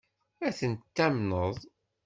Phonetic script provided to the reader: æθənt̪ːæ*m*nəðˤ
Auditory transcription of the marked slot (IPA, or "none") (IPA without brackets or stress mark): m